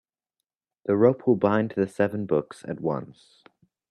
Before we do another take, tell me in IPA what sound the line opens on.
ð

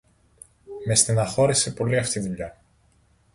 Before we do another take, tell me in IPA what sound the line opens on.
m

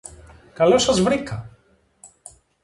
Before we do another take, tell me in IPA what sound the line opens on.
k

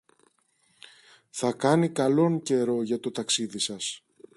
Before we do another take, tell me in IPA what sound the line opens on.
θ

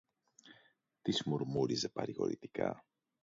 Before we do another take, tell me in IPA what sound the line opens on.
t̪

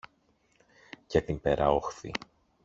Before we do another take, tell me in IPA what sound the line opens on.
c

